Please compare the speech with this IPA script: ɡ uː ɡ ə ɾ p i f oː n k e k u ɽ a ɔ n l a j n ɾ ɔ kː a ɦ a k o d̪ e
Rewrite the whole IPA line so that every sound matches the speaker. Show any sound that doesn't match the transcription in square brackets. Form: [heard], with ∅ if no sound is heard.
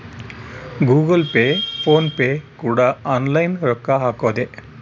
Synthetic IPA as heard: ɡ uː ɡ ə [l] p [e] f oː n [p] e k u ɽ a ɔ n l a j n ɾ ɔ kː a ɦ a k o d̪ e